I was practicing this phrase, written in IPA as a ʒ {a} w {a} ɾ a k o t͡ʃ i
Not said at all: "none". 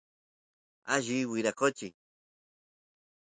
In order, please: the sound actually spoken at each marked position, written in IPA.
i, i

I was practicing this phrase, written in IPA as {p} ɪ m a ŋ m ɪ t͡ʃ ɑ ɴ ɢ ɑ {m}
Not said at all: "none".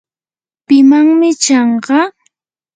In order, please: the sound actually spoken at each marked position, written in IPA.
p, none

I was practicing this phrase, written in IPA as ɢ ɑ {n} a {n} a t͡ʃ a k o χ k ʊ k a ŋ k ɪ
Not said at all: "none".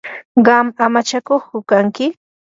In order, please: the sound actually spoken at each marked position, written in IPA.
m, m

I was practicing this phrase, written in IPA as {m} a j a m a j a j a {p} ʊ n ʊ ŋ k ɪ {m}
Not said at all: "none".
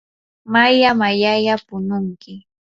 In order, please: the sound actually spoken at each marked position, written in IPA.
m, p, none

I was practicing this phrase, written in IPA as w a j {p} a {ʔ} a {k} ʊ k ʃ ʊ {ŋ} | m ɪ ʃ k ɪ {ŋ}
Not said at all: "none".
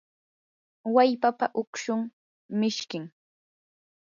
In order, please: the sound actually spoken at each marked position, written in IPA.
p, p, ʔ, ŋ, ŋ

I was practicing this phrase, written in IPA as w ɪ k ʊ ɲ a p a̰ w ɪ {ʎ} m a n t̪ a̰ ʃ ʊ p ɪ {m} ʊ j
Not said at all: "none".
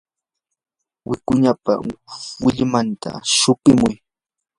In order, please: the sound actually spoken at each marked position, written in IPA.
ʎ, m

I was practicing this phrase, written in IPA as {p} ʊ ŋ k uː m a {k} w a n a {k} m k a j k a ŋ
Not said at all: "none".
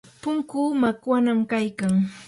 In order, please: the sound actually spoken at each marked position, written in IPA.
p, k, none

